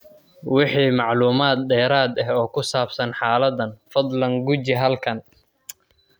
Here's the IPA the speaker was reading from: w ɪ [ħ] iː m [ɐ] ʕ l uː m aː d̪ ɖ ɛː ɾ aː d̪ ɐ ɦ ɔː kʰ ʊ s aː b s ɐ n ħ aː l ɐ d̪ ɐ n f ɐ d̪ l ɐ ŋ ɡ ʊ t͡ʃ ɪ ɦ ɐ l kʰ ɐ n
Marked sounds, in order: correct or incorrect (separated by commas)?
correct, incorrect